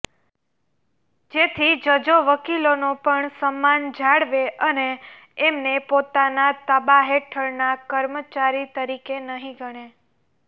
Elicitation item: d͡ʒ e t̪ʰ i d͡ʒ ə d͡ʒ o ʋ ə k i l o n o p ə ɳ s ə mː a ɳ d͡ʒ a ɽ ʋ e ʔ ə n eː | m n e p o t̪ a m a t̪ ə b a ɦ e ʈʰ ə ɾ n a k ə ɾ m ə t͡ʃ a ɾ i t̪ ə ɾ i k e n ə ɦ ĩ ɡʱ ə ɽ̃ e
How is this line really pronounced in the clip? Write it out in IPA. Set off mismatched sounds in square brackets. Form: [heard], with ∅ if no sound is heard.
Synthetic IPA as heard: d͡ʒ e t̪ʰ i d͡ʒ ə d͡ʒ o ʋ ə k i l o n o p ə ɳ s ə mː a [n] d͡ʒ a ɽ ʋ e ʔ ə n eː | m n e p o t̪ a [n] a t̪ ə b a ɦ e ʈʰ ə ɾ n a k ə ɾ m ə t͡ʃ a ɾ i t̪ ə ɾ i k e n ə ɦ ĩ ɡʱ ə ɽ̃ e

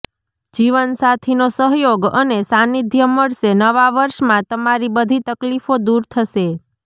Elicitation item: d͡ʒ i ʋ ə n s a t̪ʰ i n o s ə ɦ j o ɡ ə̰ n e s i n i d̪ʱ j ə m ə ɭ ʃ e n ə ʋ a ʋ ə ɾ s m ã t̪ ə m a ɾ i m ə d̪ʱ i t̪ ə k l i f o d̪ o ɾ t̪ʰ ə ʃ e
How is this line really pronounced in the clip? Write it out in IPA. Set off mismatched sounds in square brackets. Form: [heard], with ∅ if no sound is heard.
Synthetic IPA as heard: d͡ʒ i ʋ ə n s a t̪ʰ i n o s ə ɦ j o ɡ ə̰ n e s [a] n i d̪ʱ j ə m ə ɭ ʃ e n ə ʋ a ʋ ə ɾ [ʃ] m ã t̪ ə m a ɾ i [b] ə d̪ʱ i t̪ ə k l i f o d̪ [u] ɾ t̪ʰ ə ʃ e

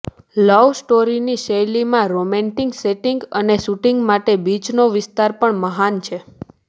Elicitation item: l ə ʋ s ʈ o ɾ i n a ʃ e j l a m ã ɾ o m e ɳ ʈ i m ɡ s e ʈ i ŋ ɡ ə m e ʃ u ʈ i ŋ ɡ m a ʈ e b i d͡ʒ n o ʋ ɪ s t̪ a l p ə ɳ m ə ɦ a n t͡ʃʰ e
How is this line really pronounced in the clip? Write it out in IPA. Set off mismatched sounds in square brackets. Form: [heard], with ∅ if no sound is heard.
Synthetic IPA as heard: l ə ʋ s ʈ o ɾ i n [i] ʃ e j l [i] m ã ɾ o m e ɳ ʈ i [ŋ] ɡ s e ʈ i ŋ ɡ ə [n] e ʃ u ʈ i ŋ ɡ m a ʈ e b i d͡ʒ n o ʋ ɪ s t̪ a [ɾ] p ə ɳ m ə ɦ a n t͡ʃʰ e

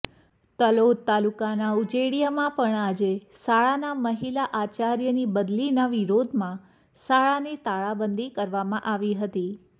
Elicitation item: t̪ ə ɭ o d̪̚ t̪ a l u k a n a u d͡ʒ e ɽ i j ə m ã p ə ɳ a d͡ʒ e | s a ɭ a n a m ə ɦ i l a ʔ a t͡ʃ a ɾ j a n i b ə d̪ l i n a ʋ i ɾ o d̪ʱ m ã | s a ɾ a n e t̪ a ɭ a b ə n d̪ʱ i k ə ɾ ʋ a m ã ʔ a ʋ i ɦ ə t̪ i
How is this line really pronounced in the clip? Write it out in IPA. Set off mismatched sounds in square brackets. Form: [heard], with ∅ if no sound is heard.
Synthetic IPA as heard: t̪ ə [l] o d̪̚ t̪ a l u k a n a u d͡ʒ e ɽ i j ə m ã p ə ɳ a d͡ʒ e | s a ɭ a n a m ə ɦ i l a ʔ a t͡ʃ a ɾ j [ə] n i b ə d̪ l i n a ʋ i ɾ o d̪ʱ m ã | s a [ɭ] a n e t̪ a ɭ a b ə n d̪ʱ i k ə ɾ ʋ a m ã ʔ a ʋ i ɦ ə t̪ i

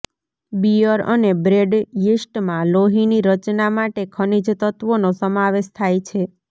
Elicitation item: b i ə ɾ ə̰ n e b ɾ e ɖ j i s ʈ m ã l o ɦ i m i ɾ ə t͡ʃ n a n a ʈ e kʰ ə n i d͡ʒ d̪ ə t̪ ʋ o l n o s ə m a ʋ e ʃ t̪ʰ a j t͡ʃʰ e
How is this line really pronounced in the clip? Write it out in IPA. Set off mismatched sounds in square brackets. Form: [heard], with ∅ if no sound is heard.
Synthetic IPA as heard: b i ə ɾ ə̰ n e b ɾ e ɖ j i s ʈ m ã l o ɦ i [n] i ɾ ə t͡ʃ n a [m] a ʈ e kʰ ə n i d͡ʒ [t̪] ə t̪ ʋ o [∅] n o s ə m a ʋ e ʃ t̪ʰ a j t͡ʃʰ e

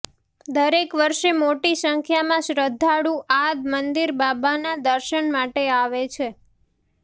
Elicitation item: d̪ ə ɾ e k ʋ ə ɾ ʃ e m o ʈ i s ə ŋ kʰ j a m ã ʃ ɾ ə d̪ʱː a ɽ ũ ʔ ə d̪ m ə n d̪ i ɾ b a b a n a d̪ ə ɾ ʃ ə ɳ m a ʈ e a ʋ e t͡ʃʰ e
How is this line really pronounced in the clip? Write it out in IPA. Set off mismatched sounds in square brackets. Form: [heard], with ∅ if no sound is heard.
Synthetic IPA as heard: d̪ ə ɾ e k ʋ ə ɾ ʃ e m o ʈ i s ə ŋ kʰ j a m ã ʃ ɾ ə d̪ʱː a ɽ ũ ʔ [a] d̪ m ə n d̪ i ɾ b a b a n a d̪ ə ɾ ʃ ə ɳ m a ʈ e a ʋ e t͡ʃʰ e

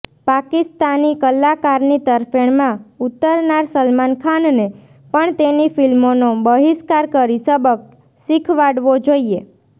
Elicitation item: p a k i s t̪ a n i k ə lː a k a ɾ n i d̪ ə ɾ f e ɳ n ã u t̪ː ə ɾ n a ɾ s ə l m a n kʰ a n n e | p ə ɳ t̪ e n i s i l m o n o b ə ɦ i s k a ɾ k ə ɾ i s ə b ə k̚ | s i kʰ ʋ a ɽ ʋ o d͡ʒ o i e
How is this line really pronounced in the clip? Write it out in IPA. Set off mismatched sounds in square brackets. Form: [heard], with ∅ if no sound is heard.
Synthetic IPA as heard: p a k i s t̪ a n i k ə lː a k a ɾ n i [t̪] ə ɾ f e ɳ [m] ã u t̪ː ə ɾ n a ɾ s ə l m a n kʰ a n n e | p ə ɳ t̪ e n i [f] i l m o n o b ə ɦ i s k a ɾ k ə ɾ i s ə b ə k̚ | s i kʰ ʋ a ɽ ʋ o d͡ʒ o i e

